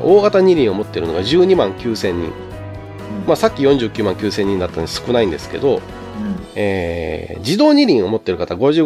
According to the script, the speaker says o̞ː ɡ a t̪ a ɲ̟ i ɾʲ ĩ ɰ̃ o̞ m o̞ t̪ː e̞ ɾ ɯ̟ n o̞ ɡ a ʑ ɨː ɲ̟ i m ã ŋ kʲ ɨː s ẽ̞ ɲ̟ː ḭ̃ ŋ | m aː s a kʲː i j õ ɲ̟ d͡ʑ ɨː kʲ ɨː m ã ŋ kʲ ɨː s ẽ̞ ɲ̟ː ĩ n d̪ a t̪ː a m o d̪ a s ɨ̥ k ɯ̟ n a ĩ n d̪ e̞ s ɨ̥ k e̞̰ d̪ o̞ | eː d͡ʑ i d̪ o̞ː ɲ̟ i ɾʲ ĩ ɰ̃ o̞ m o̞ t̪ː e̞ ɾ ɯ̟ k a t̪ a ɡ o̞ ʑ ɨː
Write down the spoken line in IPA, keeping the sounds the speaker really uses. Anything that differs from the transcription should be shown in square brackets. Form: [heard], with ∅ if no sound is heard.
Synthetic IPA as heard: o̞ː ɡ a t̪ a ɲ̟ i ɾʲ ĩ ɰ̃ o̞ m o̞ t̪ː e̞ ɾ ɯ̟ n o̞ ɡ a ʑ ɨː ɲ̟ i m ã ŋ kʲ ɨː s ẽ̞ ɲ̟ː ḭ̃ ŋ | m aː s a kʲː i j õ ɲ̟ d͡ʑ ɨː kʲ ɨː m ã ŋ kʲ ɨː s ẽ̞ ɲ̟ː ĩ n d̪ a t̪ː a [n] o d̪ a s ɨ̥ k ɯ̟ n a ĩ n d̪ e̞ s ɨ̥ k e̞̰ d̪ o̞ | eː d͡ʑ i d̪ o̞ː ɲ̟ i ɾʲ ĩ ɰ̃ o̞ m o̞ t̪ː e̞ ɾ ɯ̟ k a t̪ a ɡ o̞ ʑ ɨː